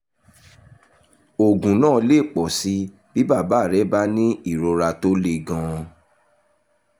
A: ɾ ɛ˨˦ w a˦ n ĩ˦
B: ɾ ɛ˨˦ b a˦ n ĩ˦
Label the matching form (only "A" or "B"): B